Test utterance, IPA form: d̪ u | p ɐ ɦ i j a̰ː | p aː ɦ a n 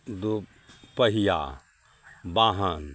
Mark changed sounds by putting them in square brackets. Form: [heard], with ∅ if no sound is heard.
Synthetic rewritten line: d̪ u | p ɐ ɦ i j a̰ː | [b] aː ɦ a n